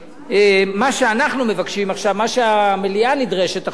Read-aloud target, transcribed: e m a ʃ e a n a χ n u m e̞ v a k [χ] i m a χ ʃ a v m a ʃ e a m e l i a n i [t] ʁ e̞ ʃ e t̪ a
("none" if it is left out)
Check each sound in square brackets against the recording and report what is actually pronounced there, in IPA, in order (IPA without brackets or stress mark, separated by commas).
ʃ, d